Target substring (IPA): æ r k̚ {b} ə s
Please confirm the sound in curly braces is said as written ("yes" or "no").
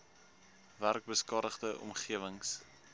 yes